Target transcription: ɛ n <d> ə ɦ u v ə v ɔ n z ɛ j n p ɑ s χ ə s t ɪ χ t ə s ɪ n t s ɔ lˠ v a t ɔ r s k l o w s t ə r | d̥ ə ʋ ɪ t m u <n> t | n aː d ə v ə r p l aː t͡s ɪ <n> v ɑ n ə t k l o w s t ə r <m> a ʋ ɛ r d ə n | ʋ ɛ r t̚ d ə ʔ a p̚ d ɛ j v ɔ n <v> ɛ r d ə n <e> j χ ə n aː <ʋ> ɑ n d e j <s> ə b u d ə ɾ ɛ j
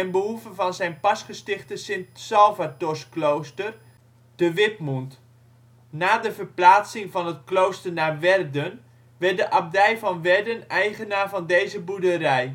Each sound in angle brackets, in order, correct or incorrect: incorrect: b, correct, incorrect: ŋ, incorrect: n, incorrect: ʋ, incorrect: ɛ, incorrect: v, incorrect: z

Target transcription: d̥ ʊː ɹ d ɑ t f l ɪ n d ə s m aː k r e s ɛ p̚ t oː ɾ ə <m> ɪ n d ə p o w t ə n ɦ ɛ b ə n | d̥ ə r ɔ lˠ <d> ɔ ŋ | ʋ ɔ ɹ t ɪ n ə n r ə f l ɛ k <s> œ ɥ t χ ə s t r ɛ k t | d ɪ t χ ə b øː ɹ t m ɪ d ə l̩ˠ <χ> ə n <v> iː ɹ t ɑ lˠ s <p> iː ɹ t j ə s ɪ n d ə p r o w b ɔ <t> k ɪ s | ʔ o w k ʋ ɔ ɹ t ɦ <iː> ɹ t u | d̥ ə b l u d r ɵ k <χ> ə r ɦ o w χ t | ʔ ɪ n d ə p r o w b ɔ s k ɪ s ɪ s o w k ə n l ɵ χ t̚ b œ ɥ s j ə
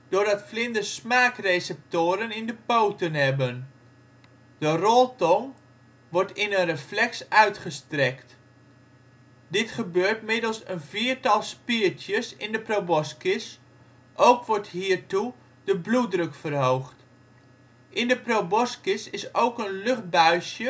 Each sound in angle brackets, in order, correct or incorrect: incorrect: n, incorrect: t, correct, incorrect: s, correct, correct, incorrect: s, correct, incorrect: f

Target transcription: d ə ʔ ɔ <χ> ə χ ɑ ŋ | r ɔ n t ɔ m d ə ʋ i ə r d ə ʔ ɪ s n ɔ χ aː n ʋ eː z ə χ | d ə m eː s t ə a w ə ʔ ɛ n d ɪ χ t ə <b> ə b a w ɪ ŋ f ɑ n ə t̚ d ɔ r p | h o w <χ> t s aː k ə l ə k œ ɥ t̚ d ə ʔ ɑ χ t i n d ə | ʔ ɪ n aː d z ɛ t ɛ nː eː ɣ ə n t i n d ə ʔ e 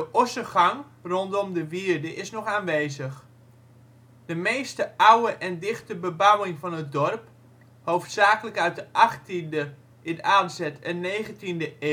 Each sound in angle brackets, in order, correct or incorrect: incorrect: s, correct, incorrect: f

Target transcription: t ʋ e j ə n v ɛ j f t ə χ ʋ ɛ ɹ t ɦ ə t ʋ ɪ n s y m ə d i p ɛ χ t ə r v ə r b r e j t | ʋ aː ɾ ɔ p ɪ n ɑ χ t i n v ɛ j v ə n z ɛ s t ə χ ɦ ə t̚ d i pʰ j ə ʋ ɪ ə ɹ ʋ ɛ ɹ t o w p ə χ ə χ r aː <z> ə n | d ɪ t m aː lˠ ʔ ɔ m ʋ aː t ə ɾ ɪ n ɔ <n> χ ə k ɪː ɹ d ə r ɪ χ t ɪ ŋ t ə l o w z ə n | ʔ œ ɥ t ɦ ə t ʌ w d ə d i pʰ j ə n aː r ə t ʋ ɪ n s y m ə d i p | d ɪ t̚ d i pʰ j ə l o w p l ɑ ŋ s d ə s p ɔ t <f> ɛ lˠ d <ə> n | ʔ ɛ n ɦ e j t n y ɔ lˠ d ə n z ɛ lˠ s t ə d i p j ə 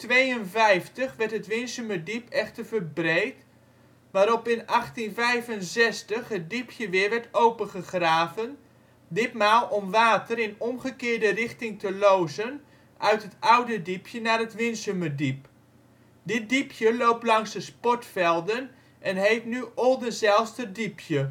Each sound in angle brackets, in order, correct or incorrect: incorrect: v, incorrect: m, correct, correct

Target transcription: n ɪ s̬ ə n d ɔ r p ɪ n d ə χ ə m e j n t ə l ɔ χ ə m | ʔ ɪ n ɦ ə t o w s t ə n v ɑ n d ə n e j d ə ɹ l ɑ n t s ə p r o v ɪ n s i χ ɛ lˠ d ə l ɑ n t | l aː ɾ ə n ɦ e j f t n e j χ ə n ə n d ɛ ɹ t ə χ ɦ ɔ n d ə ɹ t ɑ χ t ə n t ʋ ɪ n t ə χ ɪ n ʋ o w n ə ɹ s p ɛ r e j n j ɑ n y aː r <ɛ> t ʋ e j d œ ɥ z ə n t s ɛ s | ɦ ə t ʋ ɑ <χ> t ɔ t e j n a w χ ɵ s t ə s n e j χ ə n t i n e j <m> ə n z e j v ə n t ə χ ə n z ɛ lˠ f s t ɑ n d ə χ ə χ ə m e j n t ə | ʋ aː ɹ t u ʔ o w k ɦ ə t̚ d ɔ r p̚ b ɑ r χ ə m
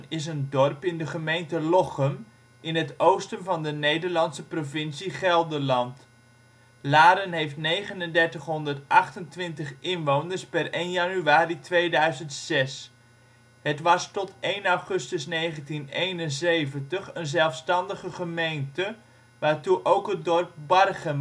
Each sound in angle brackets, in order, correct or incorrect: incorrect: i, incorrect: s, incorrect: n

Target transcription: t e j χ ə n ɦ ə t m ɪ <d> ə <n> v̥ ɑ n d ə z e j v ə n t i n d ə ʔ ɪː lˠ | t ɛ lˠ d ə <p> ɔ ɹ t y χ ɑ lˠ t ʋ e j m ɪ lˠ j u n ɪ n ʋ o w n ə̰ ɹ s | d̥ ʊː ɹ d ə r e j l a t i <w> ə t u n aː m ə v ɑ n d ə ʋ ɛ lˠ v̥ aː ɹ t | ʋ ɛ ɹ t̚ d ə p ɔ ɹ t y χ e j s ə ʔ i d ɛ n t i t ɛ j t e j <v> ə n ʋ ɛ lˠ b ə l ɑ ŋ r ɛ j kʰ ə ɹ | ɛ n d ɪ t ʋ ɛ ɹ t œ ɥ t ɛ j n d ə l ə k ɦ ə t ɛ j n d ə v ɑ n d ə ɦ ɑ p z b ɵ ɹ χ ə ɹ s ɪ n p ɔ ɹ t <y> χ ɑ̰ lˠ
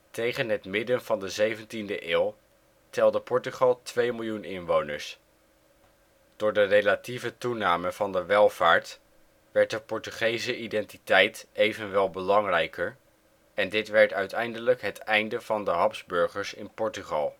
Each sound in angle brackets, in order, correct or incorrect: correct, correct, correct, incorrect: v, correct, correct

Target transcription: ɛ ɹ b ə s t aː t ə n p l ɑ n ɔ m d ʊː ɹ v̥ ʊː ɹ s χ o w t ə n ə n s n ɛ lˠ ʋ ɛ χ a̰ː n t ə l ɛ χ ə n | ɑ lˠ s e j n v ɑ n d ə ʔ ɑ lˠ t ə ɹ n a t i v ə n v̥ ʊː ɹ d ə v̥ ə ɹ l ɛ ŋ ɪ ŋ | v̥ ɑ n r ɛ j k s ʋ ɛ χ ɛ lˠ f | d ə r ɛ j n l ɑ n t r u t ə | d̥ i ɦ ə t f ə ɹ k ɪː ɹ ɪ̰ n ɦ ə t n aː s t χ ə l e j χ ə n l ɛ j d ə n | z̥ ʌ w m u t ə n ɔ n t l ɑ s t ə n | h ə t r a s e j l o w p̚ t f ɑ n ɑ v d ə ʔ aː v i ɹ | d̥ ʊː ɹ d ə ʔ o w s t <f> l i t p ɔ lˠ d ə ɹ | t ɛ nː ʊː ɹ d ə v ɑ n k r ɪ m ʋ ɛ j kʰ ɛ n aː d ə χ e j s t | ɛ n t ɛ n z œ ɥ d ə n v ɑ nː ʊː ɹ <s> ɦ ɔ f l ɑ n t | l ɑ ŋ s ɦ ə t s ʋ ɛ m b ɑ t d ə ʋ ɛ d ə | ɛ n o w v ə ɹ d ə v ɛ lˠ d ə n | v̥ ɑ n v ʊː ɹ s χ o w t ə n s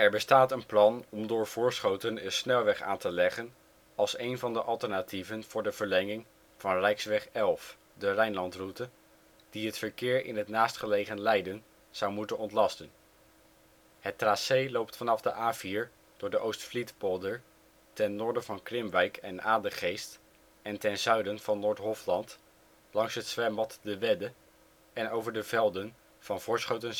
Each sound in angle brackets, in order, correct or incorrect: correct, incorrect: t

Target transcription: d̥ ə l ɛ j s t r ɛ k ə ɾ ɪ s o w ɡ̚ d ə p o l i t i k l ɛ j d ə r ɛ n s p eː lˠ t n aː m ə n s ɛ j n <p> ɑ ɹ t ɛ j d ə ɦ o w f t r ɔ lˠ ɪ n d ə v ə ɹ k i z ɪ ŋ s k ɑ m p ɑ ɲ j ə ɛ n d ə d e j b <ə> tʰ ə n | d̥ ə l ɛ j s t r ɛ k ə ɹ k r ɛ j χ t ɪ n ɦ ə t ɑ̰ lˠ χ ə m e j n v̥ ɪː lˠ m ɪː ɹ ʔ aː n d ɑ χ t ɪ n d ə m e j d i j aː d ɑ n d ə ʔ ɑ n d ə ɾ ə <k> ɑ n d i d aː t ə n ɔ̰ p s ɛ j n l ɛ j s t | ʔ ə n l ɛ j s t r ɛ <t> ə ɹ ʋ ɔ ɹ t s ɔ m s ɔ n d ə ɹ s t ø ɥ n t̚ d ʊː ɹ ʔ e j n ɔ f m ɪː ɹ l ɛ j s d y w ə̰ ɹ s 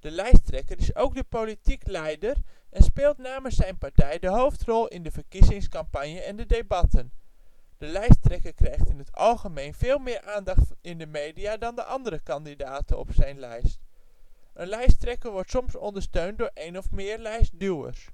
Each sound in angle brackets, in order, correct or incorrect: correct, incorrect: ɑ, correct, incorrect: k

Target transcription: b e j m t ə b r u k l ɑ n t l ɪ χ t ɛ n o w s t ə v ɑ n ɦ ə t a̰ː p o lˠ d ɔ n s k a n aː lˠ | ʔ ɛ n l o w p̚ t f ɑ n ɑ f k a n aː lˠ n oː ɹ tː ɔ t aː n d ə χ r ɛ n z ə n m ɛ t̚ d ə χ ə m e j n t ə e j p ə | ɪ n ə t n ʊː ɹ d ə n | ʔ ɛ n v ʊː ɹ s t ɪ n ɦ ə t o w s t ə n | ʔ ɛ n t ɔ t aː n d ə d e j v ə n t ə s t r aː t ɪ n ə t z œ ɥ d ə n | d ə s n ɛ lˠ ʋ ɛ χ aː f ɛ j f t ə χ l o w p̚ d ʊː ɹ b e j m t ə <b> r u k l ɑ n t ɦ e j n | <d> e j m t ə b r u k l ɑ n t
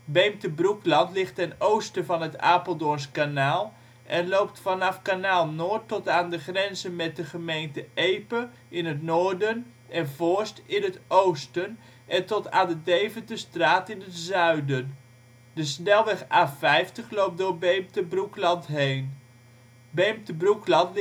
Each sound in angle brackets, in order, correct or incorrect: correct, incorrect: b

